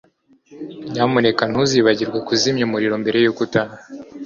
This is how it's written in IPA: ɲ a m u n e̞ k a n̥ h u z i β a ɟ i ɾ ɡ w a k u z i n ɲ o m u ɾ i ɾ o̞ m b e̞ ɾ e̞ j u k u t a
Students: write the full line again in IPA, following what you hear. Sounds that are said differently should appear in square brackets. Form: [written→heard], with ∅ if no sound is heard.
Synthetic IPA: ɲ a m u n e̞ k a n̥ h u z i β a ɟ i ɾ ɡ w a k u z i [n→m] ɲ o m u ɾ i ɾ o̞ m b e̞ ɾ e̞ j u k u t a